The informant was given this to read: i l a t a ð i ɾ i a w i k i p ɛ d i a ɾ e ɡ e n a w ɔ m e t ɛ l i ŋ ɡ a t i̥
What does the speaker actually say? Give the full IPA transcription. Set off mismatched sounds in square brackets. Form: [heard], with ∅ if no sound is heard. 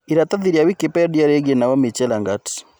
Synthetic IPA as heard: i [ɾ] a t a ð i ɾ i a w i k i p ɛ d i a ɾ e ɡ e n a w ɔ m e [t͡ʃ] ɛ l [a] ŋ ɡ a t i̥